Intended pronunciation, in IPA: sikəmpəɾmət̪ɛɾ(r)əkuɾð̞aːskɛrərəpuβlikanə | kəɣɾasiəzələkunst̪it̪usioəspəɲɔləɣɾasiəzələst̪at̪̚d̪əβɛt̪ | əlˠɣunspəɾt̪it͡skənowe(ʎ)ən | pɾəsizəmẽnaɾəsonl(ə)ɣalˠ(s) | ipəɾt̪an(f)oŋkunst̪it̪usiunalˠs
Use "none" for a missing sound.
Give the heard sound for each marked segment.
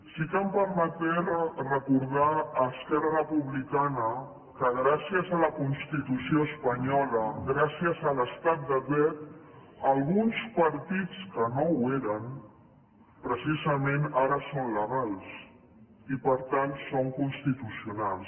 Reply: r, ɾ, ə, s, s

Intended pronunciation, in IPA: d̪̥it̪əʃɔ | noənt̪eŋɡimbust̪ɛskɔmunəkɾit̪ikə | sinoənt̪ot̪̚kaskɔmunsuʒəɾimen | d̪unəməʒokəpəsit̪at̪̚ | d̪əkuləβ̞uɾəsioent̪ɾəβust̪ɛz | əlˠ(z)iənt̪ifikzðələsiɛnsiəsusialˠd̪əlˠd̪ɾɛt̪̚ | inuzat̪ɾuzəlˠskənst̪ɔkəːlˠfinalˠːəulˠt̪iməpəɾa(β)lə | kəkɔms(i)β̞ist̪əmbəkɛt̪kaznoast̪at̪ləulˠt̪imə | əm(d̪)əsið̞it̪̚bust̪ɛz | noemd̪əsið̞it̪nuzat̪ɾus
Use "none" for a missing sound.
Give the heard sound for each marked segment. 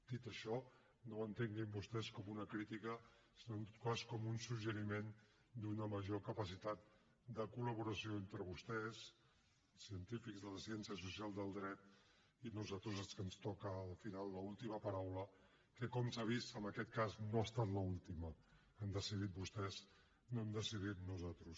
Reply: s, w, a, d̪

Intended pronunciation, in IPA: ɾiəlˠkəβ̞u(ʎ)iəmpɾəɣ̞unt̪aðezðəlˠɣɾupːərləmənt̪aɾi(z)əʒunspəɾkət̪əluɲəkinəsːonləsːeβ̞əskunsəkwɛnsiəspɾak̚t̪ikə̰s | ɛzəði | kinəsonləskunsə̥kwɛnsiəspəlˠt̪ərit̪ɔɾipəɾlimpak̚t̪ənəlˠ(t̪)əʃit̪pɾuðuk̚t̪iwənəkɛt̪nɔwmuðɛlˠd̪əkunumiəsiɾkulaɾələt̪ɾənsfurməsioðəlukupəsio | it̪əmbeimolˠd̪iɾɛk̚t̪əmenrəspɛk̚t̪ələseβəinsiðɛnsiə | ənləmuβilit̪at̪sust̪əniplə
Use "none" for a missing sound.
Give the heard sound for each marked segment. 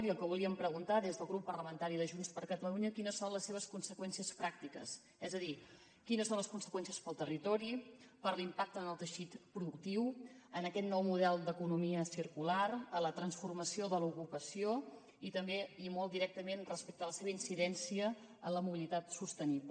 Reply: l, ð, t̪

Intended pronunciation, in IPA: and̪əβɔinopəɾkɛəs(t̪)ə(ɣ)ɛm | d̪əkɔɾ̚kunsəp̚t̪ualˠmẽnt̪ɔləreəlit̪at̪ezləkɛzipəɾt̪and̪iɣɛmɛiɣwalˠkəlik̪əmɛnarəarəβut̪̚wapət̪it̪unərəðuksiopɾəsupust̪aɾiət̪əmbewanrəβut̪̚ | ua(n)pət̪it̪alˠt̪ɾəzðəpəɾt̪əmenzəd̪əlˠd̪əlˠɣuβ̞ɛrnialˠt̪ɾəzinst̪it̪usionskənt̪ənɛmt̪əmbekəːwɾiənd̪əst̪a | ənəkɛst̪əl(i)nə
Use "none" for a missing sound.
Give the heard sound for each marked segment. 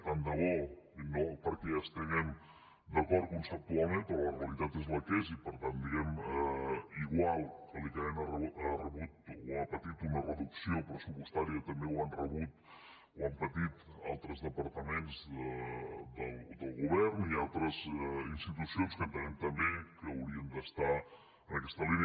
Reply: t̪, ɣ, m, i

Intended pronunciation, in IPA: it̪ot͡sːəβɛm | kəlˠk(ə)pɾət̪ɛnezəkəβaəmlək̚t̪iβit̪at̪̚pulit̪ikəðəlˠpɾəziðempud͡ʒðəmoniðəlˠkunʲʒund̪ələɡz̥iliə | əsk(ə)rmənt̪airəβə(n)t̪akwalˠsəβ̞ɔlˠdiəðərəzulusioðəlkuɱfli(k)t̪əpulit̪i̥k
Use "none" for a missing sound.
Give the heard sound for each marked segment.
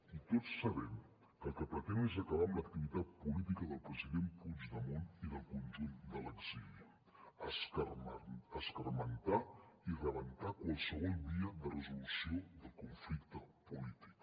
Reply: ə, ə, n, k

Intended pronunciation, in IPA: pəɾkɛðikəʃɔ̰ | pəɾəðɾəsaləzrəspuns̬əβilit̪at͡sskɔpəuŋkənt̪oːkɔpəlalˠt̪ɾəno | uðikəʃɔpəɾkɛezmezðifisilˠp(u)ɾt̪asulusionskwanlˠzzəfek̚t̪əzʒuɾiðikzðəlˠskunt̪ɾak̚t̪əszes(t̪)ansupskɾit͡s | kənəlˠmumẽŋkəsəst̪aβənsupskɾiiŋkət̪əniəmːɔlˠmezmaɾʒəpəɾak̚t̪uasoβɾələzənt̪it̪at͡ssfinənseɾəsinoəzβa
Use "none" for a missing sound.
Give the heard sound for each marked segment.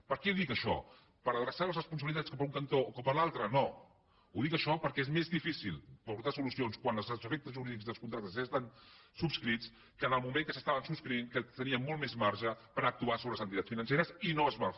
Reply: u, t̪

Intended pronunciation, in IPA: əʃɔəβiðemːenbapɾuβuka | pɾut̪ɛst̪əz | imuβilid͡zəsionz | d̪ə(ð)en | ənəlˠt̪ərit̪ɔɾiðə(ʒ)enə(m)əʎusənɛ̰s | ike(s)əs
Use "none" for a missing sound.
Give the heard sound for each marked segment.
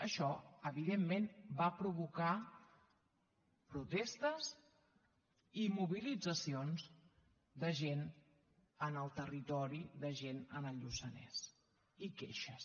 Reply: ʒ, ʒ, n, ʃ

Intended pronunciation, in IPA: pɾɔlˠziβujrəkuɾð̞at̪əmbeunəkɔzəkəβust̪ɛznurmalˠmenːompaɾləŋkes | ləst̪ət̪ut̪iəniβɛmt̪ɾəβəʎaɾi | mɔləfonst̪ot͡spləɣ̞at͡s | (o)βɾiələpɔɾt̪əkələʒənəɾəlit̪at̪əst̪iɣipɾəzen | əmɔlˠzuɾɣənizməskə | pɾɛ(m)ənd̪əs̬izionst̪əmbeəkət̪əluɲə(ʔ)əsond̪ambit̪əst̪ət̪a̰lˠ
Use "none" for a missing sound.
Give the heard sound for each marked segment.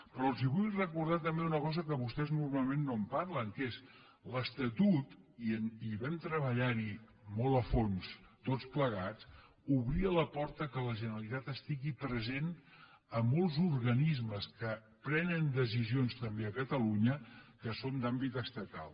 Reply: u, n, k

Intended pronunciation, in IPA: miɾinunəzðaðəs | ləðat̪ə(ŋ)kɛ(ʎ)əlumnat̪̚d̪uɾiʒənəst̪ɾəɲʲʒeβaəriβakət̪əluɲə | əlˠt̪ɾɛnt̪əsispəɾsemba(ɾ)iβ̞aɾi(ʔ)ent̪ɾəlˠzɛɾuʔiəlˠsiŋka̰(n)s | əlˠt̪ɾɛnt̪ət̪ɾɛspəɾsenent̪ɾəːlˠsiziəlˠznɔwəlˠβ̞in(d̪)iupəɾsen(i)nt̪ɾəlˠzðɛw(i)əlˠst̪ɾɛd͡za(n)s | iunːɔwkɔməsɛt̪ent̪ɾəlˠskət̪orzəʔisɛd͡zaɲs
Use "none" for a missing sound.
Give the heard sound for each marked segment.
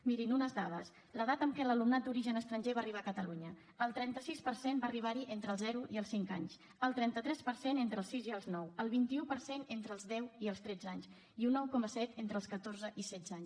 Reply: m, l, r, ʔ, ɲ, t̪, e, i, ɲ

